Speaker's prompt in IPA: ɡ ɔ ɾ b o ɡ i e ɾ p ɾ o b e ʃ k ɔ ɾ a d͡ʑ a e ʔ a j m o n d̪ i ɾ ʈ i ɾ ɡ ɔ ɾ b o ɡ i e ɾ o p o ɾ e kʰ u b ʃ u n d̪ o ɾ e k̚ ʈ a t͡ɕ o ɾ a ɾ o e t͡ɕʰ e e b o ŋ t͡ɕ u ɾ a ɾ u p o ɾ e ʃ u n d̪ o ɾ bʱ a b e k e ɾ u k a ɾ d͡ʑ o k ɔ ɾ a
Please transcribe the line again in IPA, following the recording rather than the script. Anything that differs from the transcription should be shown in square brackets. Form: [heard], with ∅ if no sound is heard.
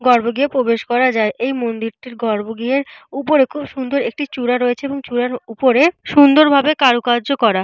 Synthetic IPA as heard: ɡ ɔ ɾ b o ɡ i e [∅] p ɾ o b e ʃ k ɔ ɾ a d͡ʑ a e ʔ [e] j m o n d̪ i ɾ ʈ i ɾ ɡ ɔ ɾ b o ɡ i e ɾ [u] p o ɾ e kʰ u b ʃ u n d̪ o ɾ e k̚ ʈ [i] t͡ɕ [u] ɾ a ɾ o e t͡ɕʰ e e b o ŋ t͡ɕ u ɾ a ɾ u p o ɾ e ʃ u n d̪ o ɾ bʱ a b e k [a] ɾ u k a ɾ d͡ʑ o k ɔ ɾ a

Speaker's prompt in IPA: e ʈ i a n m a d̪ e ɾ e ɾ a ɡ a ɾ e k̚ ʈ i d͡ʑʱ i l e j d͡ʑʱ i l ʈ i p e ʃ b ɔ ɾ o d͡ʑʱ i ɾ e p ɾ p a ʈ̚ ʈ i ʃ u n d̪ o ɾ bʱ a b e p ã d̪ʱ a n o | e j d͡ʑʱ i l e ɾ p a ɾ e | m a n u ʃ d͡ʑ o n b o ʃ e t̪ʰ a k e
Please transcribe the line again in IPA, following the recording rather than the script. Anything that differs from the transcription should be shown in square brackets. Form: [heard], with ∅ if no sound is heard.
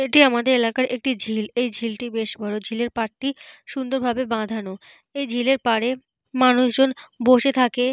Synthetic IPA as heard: e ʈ i a [∅] m a d̪ e ɾ e [l] a [k] a ɾ e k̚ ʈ i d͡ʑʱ i l e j d͡ʑʱ i l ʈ i [b] e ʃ b ɔ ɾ o d͡ʑʱ i [l] e [∅] ɾ p a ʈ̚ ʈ i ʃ u n d̪ o ɾ bʱ a b e [b] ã d̪ʱ a n o | e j d͡ʑʱ i l e ɾ p a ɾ e | m a n u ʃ d͡ʑ o n b o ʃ e t̪ʰ a k e

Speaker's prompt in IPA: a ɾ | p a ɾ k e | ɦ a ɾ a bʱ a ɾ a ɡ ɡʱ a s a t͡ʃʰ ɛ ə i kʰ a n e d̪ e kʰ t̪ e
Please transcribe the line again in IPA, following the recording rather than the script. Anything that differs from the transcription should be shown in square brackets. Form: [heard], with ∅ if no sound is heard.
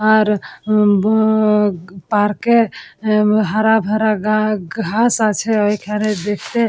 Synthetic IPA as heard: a ɾ | p a ɾ k e | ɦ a ɾ a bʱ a ɾ a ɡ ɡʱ a s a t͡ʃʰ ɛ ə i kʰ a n e d̪ e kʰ t̪ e

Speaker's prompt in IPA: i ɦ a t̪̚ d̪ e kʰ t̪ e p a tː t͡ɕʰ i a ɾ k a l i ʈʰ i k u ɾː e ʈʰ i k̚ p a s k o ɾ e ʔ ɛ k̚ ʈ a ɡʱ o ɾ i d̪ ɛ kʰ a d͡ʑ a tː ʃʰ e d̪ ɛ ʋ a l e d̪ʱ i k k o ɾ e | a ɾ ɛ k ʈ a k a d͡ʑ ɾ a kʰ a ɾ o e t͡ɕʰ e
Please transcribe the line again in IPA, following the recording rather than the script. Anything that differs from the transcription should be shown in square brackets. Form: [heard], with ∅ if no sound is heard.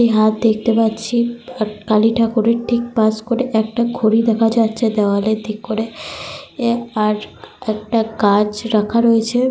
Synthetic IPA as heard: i ɦ a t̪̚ d̪ e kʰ t̪ e p a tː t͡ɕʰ i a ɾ k a l i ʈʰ [a] k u [ɾ] e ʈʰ i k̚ p a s k o ɾ e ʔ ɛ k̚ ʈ a ɡʱ o ɾ i d̪ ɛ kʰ a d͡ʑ a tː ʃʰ e d̪ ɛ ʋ a l e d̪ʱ i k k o ɾ e | a ɾ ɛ k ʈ a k a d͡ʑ ɾ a kʰ a ɾ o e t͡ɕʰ e

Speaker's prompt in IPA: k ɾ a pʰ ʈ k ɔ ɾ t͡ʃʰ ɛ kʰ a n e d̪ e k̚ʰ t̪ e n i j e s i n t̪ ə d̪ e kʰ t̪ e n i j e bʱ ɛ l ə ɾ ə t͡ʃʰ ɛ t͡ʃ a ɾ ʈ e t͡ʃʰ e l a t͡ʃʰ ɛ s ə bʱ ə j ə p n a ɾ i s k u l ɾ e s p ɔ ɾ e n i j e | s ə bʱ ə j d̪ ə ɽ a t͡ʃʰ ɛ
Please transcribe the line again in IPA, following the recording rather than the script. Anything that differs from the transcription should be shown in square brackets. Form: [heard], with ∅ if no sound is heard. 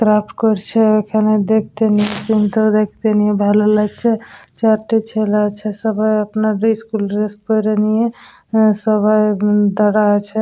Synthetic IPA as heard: k ɾ a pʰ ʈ k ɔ ɾ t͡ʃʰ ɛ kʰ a n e d̪ e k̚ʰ t̪ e n i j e s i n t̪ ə d̪ e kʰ t̪ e n i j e bʱ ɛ l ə [l] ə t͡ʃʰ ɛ t͡ʃ a ɾ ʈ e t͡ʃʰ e l a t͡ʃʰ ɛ s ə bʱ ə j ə p n a ɾ i s k u l ɾ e s p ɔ ɾ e n i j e | s ə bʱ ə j d̪ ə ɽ a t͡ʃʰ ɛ

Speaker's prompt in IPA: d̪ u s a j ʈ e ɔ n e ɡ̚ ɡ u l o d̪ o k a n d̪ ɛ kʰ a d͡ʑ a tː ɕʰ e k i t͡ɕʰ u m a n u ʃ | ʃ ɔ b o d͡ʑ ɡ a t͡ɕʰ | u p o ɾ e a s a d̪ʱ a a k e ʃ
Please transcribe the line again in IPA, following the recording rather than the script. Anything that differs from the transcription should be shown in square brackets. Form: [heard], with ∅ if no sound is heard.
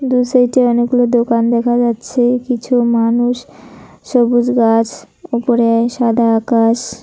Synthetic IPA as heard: d̪ u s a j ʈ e ɔ n e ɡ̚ ɡ u l o d̪ o k a n d̪ ɛ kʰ a d͡ʑ a tː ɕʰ e k i t͡ɕʰ u m a n u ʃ | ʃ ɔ b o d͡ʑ ɡ a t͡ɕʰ | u p o ɾ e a [ʃ] a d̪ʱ a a k [a] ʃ

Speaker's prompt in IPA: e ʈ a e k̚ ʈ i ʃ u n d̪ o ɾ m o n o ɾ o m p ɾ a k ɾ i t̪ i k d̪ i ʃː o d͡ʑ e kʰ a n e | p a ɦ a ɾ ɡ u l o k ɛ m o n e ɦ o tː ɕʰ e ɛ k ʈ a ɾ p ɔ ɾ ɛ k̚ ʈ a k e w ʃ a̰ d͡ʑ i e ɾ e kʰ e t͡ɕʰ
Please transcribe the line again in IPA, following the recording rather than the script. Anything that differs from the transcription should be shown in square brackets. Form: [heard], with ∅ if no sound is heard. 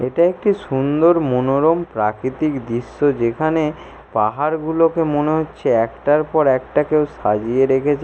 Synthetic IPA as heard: e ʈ a e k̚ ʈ i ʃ u n d̪ o ɾ m o n o ɾ o m p ɾ a k ɾ i t̪ i k d̪ i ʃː o d͡ʑ e kʰ a n e | p a ɦ a ɾ ɡ u l o k [e] m o n e ɦ o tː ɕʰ e ɛ k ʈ a ɾ p ɔ ɾ ɛ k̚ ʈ a k e w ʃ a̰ d͡ʑ i e ɾ e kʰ e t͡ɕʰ

